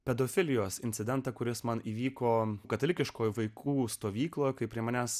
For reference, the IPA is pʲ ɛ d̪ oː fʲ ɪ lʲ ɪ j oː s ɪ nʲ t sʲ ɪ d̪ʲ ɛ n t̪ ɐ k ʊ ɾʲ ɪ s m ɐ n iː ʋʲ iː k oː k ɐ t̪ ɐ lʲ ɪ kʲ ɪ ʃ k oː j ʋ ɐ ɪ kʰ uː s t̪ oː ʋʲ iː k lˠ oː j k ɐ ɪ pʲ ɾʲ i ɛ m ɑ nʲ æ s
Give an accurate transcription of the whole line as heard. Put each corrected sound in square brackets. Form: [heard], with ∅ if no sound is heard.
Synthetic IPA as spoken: pʲ ɛ d̪ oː fʲ ɪ lʲ ɪ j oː s ɪ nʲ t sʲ ɪ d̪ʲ ɛ n t̪ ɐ k ʊ ɾʲ ɪ s m ɐ n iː ʋʲ iː k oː k ɐ t̪ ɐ lʲ ɪ kʲ ɪ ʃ k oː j ʋ ɐ ɪ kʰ uː s t̪ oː ʋʲ iː k lˠ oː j k ɐ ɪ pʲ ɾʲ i ɛ m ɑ nʲ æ s